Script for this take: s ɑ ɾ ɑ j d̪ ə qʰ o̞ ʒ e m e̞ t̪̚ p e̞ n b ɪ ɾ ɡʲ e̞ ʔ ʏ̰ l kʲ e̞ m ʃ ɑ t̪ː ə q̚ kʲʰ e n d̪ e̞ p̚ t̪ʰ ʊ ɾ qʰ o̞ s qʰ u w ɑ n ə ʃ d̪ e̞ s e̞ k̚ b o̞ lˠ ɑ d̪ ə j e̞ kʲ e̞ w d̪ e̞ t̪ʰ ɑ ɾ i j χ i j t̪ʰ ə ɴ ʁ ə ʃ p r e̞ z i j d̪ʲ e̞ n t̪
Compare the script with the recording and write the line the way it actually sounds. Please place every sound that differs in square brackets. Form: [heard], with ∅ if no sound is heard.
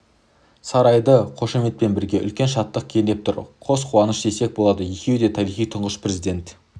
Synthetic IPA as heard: s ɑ ɾ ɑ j d̪ ə qʰ o̞ [ʃ] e m e̞ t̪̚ p e̞ n b ɪ ɾ ɡʲ e̞ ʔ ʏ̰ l kʲ e̞ [n] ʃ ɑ t̪ː ə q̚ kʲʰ e n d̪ e̞ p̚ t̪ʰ ʊ ɾ qʰ o̞ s qʰ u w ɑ n ə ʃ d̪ e̞ s e̞ k̚ b o̞ lˠ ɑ d̪ ə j e̞ kʲ e̞ w d̪ e̞ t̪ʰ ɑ ɾ i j χ i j t̪ʰ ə ɴ ʁ ə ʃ p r e̞ z i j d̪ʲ e̞ n t̪